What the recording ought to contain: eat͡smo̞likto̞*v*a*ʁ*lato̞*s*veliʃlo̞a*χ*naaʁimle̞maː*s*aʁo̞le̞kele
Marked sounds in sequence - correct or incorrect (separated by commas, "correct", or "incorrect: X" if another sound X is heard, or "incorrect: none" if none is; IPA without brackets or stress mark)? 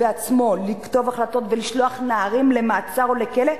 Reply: correct, incorrect: χ, incorrect: t, correct, incorrect: t͡s